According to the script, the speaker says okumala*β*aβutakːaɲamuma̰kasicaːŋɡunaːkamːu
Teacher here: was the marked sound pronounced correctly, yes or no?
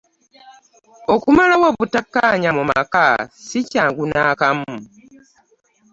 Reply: no